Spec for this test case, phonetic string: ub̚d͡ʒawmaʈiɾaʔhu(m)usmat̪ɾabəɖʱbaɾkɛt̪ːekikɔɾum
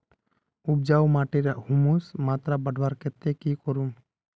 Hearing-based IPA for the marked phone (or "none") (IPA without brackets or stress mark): m